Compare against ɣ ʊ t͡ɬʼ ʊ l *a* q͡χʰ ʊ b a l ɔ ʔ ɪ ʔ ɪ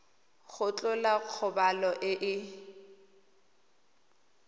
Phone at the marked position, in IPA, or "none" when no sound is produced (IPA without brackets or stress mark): a